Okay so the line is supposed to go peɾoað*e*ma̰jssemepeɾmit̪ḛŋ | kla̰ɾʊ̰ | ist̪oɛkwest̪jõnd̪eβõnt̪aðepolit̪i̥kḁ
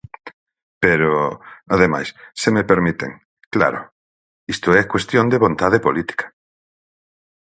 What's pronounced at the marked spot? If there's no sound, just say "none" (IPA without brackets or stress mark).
e